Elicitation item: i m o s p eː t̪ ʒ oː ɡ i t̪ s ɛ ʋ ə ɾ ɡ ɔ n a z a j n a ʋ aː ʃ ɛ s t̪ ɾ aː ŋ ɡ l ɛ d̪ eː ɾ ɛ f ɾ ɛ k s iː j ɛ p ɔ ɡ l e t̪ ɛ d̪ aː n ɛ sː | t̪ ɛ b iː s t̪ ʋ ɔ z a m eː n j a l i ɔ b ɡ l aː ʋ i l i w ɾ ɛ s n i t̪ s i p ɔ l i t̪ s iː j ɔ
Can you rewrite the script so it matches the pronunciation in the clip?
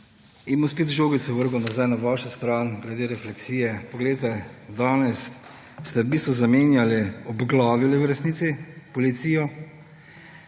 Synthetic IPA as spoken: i m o s p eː t̪ ʒ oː ɡ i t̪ s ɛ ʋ ə ɾ ɡ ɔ n a z a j n a ʋ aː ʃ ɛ s t̪ ɾ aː n ɡ l ɛ d̪ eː ɾ ɛ f l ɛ k s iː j ɛ p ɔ ɡ l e t̪ ɛ d̪ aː n ɛ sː | t̪ ɛ b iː s t̪ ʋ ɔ z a m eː n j a l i ɔ b ɡ l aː ʋ i l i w ɾ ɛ s n i t̪ s i p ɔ l i t̪ s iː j ɔ